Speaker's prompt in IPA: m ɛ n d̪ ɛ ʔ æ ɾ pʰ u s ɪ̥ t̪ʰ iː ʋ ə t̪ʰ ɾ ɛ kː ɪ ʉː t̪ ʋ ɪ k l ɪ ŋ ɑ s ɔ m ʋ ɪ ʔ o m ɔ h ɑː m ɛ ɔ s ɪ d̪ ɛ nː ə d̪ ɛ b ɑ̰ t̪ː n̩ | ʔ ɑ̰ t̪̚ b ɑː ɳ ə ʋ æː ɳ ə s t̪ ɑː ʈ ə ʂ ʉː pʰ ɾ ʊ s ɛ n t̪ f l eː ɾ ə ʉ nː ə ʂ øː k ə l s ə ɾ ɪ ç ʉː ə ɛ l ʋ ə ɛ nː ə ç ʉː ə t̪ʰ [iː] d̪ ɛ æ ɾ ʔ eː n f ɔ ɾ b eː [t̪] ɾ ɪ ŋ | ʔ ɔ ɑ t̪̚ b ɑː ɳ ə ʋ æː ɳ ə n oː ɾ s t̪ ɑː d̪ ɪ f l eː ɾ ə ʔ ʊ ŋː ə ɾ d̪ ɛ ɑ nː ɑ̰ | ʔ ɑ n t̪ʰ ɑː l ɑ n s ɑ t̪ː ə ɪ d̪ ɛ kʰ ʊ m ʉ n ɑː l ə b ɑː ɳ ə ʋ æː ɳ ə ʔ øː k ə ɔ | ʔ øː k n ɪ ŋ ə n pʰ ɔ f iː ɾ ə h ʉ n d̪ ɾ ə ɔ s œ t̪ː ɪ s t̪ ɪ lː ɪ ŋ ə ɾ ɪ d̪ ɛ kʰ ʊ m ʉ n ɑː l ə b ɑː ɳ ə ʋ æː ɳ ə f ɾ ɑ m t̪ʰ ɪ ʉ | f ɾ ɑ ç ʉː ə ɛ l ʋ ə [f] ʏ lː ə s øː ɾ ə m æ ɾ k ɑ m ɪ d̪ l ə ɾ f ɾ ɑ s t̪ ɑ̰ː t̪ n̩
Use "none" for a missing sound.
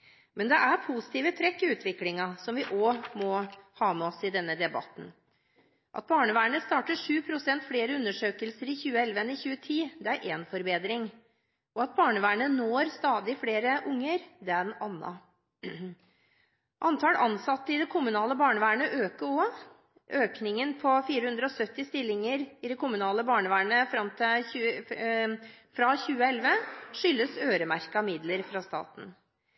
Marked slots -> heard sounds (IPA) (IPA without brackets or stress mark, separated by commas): iː, d̪, ʂ